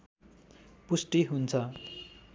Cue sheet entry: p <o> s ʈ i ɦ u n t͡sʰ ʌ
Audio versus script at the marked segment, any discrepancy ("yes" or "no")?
yes